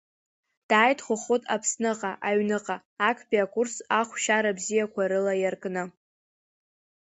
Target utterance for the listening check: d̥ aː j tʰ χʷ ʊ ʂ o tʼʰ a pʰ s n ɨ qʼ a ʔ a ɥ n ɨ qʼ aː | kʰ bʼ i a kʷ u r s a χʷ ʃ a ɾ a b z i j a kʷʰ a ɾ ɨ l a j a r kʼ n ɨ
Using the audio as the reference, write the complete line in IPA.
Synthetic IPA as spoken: d̥ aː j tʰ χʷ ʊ χ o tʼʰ a pʰ s n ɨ qʼ a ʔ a ɥ n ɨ qʼ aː | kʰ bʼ i a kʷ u r s a χʷ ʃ a ɾ a b z i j a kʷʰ a ɾ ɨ l a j a r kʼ n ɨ